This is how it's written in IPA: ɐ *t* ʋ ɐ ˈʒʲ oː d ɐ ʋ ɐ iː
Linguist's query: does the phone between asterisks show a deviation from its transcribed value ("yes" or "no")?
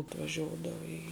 no